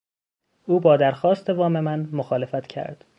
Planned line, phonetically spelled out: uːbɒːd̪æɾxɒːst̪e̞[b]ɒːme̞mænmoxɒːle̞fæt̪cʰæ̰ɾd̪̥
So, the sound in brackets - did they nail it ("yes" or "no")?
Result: no